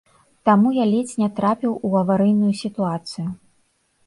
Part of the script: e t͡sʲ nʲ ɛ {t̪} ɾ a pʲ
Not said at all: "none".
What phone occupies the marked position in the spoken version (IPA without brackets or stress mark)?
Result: t̪